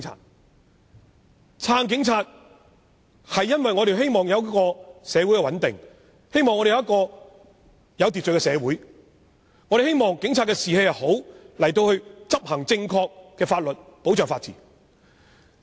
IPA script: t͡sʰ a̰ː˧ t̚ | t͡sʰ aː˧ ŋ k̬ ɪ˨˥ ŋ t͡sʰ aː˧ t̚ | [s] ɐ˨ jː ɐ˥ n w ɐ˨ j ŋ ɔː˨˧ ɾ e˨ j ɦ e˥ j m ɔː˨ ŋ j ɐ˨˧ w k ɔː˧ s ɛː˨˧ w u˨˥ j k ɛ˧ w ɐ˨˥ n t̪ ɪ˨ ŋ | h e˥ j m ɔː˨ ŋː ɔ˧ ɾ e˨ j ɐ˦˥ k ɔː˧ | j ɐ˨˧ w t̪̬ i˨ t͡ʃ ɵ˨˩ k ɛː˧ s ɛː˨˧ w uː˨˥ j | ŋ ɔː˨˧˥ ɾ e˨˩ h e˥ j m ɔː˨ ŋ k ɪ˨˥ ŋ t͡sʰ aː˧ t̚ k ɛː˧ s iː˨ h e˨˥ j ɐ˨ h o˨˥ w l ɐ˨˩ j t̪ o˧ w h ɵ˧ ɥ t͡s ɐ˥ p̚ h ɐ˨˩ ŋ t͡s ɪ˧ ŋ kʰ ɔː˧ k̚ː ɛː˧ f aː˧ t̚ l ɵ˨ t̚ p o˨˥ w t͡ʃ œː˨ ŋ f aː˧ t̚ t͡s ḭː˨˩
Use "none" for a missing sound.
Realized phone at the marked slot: h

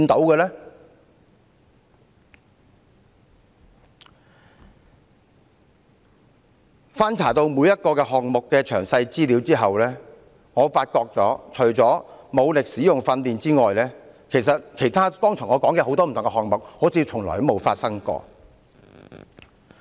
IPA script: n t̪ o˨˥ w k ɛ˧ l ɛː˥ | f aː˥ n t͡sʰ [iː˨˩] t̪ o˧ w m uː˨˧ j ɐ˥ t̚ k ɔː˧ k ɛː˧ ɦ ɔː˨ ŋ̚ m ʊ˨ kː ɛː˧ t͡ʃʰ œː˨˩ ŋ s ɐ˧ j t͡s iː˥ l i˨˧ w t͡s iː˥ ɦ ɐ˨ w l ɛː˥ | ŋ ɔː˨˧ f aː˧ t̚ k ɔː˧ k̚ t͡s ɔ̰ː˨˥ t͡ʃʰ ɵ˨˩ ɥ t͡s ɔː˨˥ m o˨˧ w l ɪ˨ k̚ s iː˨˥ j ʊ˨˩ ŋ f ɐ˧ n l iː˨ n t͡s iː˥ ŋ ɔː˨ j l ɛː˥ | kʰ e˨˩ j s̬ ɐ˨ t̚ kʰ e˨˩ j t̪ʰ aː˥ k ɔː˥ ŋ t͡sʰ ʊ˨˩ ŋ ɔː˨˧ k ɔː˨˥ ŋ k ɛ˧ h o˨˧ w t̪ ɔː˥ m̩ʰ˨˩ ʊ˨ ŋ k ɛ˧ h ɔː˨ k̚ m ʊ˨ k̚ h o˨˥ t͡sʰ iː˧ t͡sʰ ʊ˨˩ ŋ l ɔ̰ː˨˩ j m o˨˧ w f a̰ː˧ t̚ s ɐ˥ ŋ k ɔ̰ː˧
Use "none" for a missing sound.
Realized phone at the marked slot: aː˨˩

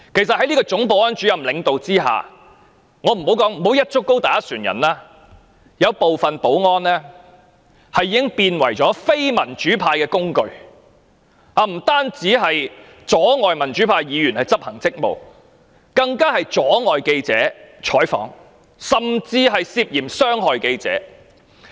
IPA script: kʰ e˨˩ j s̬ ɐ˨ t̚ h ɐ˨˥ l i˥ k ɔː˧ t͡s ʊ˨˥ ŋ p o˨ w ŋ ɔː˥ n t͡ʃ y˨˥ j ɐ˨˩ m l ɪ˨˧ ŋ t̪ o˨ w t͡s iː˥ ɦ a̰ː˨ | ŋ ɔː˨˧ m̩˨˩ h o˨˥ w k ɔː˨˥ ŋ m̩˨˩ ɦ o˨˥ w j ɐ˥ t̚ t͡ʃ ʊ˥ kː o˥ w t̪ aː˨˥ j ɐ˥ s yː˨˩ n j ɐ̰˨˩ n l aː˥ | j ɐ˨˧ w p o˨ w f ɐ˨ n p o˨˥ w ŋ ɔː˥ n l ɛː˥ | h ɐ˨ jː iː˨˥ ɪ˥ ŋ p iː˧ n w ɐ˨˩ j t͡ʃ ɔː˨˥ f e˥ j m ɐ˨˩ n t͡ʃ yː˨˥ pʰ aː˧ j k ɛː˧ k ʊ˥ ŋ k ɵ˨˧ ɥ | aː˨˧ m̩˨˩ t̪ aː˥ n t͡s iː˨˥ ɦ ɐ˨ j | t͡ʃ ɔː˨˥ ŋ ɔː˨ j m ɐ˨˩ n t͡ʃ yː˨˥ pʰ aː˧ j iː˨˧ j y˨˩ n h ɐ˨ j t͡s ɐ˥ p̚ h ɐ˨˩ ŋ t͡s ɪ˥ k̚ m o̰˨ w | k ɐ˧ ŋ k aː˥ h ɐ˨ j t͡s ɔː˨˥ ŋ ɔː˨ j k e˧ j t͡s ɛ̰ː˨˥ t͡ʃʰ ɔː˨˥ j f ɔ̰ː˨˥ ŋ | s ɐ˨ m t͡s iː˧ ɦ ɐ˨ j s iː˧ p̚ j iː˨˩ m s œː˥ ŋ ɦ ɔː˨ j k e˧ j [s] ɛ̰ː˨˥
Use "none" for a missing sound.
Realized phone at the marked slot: t͡s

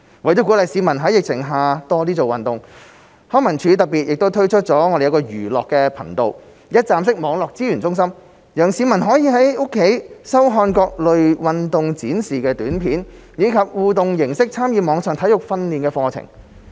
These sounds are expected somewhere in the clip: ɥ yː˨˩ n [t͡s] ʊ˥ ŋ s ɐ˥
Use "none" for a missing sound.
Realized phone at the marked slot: t͡s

